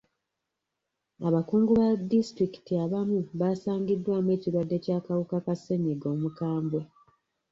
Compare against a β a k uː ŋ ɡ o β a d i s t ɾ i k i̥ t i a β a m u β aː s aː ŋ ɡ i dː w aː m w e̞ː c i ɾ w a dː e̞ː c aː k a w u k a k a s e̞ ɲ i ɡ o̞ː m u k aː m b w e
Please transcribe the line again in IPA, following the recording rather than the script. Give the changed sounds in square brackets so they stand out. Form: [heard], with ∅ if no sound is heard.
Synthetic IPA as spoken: a β a k uː ŋ ɡ [u] β a d i s t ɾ i k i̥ t i a β a m u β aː s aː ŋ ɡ i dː w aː m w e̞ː c i ɾ w a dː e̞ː c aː k a w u k a k a s e̞ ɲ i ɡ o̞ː m u k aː m b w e